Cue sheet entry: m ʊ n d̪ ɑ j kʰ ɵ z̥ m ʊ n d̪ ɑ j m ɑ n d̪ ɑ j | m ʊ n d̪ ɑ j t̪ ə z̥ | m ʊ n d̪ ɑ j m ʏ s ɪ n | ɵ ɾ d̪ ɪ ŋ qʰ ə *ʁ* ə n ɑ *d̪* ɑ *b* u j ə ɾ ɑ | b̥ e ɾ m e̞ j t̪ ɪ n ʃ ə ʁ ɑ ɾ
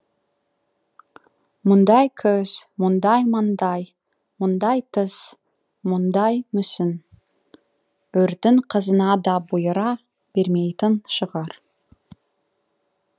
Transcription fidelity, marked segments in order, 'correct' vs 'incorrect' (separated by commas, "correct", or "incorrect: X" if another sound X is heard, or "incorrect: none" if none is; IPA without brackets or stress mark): incorrect: z, correct, correct